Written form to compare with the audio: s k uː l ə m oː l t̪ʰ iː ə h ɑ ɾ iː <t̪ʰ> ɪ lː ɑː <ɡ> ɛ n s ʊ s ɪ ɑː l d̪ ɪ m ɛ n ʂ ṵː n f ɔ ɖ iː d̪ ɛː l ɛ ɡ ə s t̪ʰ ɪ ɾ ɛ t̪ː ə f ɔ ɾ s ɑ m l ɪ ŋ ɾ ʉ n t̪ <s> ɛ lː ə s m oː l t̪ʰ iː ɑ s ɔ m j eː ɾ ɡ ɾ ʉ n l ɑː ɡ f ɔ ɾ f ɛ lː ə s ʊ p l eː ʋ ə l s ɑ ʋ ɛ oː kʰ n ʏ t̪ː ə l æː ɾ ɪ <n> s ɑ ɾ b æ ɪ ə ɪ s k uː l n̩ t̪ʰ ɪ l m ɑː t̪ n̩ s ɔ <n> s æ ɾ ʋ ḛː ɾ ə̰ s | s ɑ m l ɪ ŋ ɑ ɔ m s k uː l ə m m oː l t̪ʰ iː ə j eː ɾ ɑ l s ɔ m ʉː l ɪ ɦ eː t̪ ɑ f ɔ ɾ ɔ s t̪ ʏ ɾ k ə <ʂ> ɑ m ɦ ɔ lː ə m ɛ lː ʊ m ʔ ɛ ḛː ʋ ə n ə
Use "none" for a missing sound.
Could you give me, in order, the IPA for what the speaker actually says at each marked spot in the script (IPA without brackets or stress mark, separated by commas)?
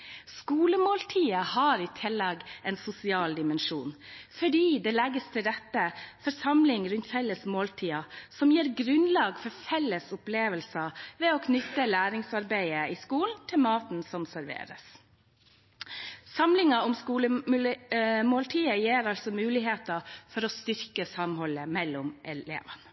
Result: t̪ʰ, ɡ, f, ŋ, m, s